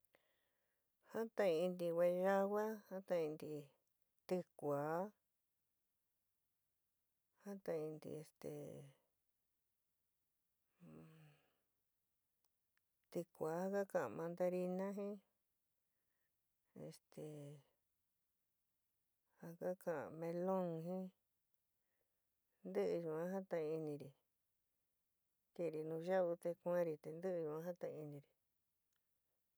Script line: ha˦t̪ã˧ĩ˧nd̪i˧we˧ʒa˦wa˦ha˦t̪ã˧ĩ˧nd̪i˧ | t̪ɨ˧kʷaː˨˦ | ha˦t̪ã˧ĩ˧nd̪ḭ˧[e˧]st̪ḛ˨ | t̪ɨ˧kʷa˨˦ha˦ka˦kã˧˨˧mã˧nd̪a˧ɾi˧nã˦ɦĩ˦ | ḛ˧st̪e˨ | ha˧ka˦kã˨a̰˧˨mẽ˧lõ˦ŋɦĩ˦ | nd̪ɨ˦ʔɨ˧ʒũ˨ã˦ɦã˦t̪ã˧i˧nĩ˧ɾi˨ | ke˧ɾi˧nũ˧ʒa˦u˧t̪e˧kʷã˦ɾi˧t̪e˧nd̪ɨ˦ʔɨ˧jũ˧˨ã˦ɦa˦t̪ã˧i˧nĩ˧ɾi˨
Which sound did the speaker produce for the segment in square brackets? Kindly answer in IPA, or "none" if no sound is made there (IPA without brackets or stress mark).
e˧